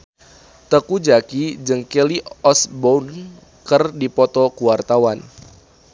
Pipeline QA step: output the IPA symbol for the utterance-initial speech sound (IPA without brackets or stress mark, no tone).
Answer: t̪